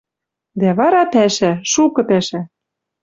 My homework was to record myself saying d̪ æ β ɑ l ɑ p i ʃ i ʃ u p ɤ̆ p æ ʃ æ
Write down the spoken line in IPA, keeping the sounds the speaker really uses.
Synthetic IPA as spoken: d̪ æ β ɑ ɾ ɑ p æ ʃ æ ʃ u k ɤ̆ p æ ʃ æ

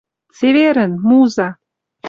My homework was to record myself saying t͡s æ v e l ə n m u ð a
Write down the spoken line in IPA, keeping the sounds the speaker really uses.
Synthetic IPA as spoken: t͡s e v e ɾ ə n m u z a

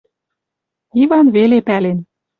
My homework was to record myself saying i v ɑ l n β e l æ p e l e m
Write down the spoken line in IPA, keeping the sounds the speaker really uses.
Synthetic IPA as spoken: i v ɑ n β e l e p æ l e n

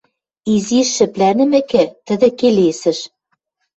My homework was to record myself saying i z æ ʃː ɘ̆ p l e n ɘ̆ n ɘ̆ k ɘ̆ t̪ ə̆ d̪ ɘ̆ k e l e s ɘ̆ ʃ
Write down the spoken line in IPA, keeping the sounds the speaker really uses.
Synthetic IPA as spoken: i z i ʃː ɘ̆ p l æ n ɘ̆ m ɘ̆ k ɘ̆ t̪ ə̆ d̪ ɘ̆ k e l e s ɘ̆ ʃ

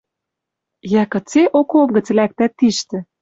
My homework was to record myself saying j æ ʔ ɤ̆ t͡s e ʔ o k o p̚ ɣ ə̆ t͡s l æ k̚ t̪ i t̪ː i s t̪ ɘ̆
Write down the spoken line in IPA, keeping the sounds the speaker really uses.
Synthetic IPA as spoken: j æ k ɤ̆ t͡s e ʔ o k o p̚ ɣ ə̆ t͡s l æ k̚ t̪ æ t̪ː i ʃ t̪ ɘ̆

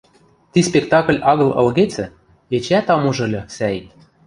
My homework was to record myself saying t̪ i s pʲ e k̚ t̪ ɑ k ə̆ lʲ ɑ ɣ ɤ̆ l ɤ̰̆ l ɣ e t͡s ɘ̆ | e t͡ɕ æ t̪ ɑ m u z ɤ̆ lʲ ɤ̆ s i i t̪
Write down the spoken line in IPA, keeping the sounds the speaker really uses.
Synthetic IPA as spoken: t̪ i s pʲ e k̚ t̪ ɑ k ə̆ lʲ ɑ ɣ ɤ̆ l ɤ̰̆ l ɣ e t͡s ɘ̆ | e t͡ɕ æ t̪ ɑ m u ʒ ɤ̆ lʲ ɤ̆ s æ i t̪

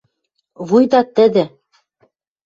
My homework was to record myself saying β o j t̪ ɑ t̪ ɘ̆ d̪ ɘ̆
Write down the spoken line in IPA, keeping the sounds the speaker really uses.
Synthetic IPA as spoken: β u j d̪ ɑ t̪ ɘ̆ d̪ ɘ̆

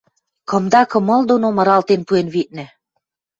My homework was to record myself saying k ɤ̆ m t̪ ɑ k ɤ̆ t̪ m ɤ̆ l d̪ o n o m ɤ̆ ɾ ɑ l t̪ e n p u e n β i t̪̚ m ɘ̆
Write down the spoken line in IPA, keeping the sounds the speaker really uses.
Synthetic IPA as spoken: k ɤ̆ m d̪ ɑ k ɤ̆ m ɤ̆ l d̪ o n o m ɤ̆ ɾ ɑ l t̪ e n p u e n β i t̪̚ n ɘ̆

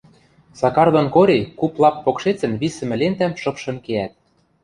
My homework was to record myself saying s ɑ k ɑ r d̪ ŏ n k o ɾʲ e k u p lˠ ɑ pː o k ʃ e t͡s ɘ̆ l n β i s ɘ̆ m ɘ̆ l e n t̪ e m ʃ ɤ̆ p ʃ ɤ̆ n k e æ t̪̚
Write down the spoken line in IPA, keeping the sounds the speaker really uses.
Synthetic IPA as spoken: s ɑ k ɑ r d̪ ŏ n k o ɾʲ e k u p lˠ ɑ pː o k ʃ e t͡s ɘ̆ n β i s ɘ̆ m ɘ̆ l e n t̪ æ m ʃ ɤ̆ p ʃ ɤ̆ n k e æ t̪̚

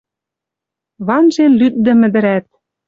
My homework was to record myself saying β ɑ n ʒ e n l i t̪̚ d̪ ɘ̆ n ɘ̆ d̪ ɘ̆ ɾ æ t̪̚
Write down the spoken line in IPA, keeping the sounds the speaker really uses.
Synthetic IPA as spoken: β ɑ n ʒ e n l y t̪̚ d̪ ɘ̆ m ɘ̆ d̪ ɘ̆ ɾ æ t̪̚

